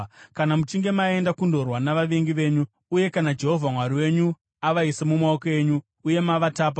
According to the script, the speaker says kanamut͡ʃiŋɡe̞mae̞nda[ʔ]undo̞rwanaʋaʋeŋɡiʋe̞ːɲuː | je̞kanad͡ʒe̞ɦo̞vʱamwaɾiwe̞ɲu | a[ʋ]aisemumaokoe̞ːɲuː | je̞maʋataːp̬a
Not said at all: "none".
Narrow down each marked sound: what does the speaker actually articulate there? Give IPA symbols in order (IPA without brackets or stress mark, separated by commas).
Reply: k, ʋ